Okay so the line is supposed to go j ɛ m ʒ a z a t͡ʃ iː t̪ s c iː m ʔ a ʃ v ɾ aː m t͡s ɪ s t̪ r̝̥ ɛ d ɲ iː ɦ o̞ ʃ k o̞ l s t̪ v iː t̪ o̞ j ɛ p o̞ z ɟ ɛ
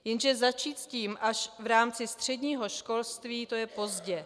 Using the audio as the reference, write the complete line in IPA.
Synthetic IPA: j ɛ n ʒ ɛ z a t͡ʃ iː t̪ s c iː m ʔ a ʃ v ɾ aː m t͡s ɪ s t̪ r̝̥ ɛ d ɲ iː ɦ o̞ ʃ k o̞ l s t̪ v iː t̪ o̞ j ɛ p o̞ z ɟ ɛ